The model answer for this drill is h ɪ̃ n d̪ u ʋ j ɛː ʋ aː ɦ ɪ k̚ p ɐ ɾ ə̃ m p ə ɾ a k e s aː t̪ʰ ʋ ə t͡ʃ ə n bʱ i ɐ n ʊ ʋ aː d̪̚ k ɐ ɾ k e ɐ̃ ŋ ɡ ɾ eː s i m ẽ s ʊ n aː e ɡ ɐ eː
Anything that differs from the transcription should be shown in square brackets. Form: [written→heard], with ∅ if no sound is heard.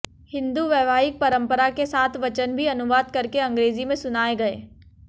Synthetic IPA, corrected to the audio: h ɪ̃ n d̪ u ʋ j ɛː ʋ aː ɦ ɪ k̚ p ɐ ɾ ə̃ m p ə ɾ a k e s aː t̪ʰ ʋ [ə→ɐ] t͡ʃ ə n bʱ i ɐ n ʊ ʋ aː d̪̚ k ɐ ɾ k e ɐ̃ ŋ ɡ ɾ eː [s→z] i m ẽ s ʊ n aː e ɡ ɐ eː